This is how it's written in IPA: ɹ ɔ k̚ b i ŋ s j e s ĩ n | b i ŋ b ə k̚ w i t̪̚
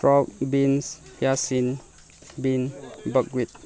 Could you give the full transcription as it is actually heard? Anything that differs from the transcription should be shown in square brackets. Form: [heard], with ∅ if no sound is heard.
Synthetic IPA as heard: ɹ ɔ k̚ b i [n] s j [a] s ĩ n | b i [n] b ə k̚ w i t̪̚